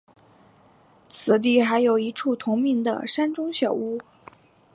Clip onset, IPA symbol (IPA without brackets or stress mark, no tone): t͡sʰ